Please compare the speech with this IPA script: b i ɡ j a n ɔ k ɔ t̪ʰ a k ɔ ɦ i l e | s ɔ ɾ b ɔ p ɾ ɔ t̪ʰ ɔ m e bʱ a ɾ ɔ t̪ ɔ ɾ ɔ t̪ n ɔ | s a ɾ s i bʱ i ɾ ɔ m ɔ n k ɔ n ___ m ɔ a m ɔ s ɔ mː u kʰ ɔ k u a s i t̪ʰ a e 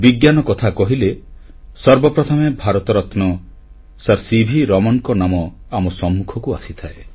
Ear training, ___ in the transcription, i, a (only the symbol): a